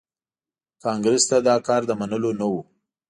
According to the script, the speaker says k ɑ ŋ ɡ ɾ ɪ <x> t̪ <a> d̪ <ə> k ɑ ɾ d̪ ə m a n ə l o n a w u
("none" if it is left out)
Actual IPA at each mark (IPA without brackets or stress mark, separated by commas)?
s, a, ɑ